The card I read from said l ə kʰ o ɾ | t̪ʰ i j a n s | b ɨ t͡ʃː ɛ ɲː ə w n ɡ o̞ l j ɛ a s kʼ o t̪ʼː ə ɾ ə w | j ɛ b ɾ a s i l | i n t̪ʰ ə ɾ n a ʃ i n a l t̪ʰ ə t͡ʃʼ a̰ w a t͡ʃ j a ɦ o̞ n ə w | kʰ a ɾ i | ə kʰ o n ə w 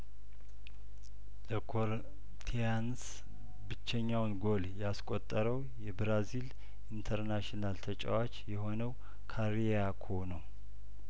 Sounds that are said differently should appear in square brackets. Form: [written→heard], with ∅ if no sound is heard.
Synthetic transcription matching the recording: l ə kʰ o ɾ | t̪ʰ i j a n s | b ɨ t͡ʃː ɛ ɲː [ə→a] w n ɡ o̞ l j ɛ a s kʼ o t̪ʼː ə ɾ ə w | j ɛ b ɾ a [s→z] i l | i n t̪ʰ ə ɾ n a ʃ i n a l t̪ʰ ə t͡ʃʼ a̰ w a t͡ʃ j [a→ɛ] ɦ o̞ n ə w | kʰ a ɾ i | [ə→a] kʰ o n ə w

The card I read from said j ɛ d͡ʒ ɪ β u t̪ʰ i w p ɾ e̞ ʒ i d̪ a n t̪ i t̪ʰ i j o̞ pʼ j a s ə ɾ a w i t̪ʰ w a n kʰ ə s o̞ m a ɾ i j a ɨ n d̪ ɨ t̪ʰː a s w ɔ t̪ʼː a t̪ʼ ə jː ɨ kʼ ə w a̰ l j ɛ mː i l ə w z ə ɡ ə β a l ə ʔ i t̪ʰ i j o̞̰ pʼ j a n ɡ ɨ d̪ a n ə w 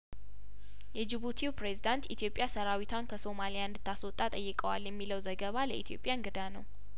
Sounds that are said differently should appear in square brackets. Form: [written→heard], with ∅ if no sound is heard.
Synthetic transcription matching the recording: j ɛ d͡ʒ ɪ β u t̪ʰ i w p ɾ e̞ [ʒ→z] i d̪ a n t̪ i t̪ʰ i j o̞ pʼ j a s ə ɾ a w i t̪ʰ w a n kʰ ə s o̞ m a [ɾ→l] i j a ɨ n d̪ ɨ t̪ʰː a s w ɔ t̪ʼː a t̪ʼ ə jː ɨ kʼ ə w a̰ l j ɛ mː i l ə w z ə ɡ ə β a l ə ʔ i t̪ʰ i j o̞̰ pʼ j a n ɡ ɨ d̪ a n ə w

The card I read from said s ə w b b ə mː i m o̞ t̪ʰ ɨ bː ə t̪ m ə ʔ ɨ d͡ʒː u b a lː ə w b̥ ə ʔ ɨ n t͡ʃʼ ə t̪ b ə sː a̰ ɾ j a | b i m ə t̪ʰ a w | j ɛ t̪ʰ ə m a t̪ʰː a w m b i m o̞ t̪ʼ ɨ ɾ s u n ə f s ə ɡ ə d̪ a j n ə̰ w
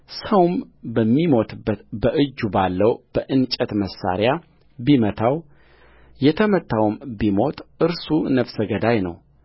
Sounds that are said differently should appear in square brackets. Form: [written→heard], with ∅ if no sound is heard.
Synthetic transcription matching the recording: s ə w [b→m] b ə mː i m o̞ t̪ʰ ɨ bː ə t̪ [m→b] ə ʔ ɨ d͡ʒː u b a lː ə w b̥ ə ʔ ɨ n t͡ʃʼ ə t̪ [b→m] ə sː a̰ ɾ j a | b i m ə t̪ʰ a w | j ɛ t̪ʰ ə m [a→ə] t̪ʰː a w m b i m o̞ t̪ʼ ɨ ɾ s u n ə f s ə ɡ ə d̪ a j n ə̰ w

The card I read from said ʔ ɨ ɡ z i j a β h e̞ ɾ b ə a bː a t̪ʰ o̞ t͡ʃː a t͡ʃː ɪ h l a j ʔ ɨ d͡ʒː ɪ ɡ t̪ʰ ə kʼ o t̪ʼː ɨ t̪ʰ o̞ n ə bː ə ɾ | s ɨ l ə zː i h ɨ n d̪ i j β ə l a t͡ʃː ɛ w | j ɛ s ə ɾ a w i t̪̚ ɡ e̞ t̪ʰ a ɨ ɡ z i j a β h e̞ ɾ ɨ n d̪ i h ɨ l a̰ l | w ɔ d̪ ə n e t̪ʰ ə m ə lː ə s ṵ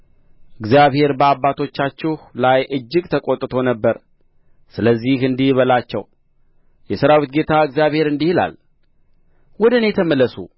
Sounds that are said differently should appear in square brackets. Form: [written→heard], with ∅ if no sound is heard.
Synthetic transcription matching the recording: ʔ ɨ ɡ z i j a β h e̞ ɾ b ə a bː a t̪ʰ o̞ t͡ʃː a t͡ʃː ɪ h l a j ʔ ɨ d͡ʒː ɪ ɡ t̪ʰ ə kʼ o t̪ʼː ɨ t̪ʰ o̞ n ə bː ə ɾ | s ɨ l ə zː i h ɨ n d̪ i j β ə l a t͡ʃː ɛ w | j ɛ s ə ɾ a w i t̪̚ ɡ e̞ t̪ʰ a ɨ ɡ z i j a β h e̞ ɾ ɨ n d̪ i h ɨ l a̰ l | w ɔ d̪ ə n e t̪ʰ ə m ə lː ə s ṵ

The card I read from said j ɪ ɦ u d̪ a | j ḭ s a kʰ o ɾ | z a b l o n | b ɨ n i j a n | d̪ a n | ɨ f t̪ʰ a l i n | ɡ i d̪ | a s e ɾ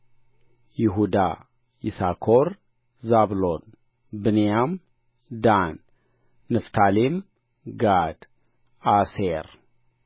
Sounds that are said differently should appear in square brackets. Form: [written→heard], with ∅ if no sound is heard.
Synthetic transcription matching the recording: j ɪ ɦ u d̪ a | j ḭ s a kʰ o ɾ | z a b l o n | b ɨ n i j a [n→m] | d̪ a [n→nː] | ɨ f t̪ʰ a l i [n→m] | ɡ [i→a] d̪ | a s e ɾ

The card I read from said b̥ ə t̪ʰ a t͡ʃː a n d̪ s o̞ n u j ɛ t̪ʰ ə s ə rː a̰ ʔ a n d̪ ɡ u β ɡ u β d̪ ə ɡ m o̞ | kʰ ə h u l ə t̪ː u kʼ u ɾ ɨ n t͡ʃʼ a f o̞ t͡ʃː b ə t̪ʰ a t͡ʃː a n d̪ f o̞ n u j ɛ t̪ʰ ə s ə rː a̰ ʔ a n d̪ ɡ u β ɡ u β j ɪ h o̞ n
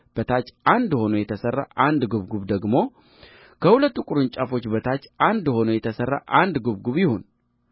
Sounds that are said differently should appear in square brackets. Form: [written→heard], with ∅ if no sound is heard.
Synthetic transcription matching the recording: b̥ ə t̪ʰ a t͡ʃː a n d̪ [s→h] o̞ n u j ɛ t̪ʰ ə s ə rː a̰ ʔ a n d̪ ɡ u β ɡ u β d̪ ə ɡ m o̞ | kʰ ə h u l ə t̪ː u kʼ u ɾ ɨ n t͡ʃʼ a f o̞ t͡ʃː b ə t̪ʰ a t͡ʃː a n d̪ [f→h] o̞ n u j ɛ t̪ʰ ə s ə rː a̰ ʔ a n d̪ ɡ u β ɡ u β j ɪ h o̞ n

